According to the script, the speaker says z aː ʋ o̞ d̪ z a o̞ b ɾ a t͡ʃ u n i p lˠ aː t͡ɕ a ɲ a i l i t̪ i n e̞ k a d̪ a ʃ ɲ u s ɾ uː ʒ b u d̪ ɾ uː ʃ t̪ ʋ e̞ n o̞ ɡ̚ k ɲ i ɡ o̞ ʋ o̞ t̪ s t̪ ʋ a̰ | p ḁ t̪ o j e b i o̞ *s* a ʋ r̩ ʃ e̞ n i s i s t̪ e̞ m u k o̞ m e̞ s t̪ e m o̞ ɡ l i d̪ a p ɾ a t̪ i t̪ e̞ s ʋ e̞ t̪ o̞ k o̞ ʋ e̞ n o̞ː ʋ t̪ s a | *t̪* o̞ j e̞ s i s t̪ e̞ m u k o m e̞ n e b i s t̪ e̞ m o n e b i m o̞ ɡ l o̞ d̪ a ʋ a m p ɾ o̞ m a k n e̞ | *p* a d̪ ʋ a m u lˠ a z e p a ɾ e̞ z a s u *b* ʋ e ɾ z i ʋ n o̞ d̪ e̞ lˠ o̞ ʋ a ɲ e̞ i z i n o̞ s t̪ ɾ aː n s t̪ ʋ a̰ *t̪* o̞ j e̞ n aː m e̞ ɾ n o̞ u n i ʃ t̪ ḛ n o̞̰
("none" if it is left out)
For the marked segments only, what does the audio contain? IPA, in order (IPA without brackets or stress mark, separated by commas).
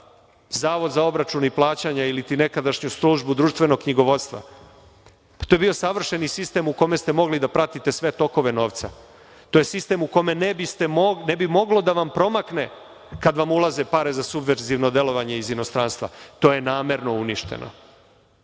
s, t̪, k, b, t̪